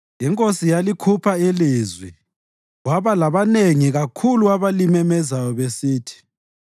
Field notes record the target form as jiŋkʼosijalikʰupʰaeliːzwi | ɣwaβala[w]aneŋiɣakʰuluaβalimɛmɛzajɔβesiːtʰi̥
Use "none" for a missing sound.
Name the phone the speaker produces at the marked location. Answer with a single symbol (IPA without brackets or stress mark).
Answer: β